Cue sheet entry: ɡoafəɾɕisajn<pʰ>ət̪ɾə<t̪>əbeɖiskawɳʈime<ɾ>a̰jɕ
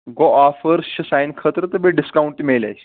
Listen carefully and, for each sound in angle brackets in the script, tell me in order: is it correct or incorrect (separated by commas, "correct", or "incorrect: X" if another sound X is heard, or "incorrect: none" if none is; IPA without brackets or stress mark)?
incorrect: kʰ, correct, incorrect: l